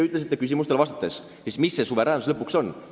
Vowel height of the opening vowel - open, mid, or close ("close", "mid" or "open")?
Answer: close